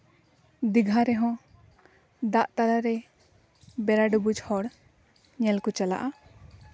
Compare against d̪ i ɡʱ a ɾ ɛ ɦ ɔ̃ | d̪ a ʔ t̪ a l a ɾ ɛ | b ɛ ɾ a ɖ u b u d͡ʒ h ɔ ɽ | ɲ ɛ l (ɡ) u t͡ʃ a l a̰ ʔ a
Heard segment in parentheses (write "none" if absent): k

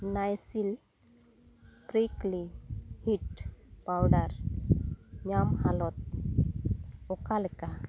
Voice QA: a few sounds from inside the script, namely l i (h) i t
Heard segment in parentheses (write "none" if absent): h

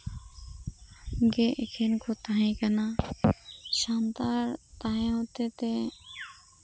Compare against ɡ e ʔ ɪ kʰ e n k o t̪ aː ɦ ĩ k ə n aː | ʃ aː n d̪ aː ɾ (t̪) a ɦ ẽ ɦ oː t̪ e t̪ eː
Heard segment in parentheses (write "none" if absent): t̪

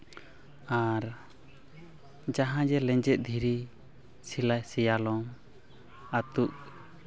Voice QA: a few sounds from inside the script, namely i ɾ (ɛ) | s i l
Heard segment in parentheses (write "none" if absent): i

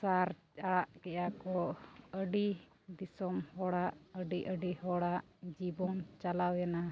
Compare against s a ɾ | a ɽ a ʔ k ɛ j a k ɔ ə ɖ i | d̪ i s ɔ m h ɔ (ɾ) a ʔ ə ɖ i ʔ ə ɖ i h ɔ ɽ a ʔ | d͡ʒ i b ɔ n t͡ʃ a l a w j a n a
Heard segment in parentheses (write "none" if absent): ɽ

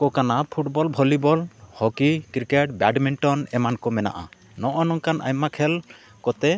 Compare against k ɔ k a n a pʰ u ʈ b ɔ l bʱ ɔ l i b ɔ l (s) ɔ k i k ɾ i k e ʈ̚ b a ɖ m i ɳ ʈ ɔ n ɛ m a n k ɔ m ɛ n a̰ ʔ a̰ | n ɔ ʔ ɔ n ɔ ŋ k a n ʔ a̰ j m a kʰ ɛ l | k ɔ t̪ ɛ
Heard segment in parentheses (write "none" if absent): h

